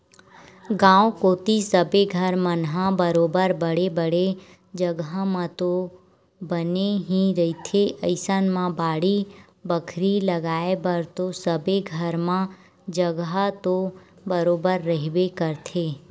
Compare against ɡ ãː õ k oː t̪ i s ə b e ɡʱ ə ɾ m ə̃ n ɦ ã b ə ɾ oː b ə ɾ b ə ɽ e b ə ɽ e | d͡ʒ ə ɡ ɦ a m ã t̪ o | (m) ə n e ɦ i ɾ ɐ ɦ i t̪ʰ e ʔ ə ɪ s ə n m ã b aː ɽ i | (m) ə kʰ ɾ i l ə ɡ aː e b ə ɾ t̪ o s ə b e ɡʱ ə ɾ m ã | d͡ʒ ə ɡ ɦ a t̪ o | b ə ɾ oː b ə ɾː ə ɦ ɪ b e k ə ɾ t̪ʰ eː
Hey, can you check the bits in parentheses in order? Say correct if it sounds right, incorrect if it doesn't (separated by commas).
incorrect, incorrect